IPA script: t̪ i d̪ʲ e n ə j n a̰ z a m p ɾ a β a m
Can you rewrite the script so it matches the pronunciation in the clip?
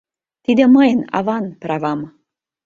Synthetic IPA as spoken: t̪ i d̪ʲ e m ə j n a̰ v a n p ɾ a v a m